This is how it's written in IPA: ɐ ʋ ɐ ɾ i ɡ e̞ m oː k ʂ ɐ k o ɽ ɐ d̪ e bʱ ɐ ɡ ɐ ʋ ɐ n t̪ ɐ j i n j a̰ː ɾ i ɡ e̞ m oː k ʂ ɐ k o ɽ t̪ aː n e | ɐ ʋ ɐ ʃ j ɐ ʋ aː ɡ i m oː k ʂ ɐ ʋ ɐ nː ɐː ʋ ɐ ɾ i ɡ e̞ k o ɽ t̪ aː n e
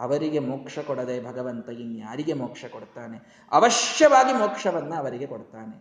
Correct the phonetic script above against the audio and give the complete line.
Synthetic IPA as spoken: ɐ ʋ ɐ ɾ i ɡ e̞ m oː k ʂ ɐ k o ɽ ɐ d̪ e bʱ ɐ ɡ ɐ ʋ ɐ n t̪ ɐ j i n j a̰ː ɾ i ɡ e̞ m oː k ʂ ɐ k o ɽ t̪ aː n e | ɐ ʋ ɐ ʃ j ɐ ʋ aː ɡ i m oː k ʂ ɐ ʋ ɐ nː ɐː ʋ ɐ ɾ i ɡ e̞ k o ɽ t̪ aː n e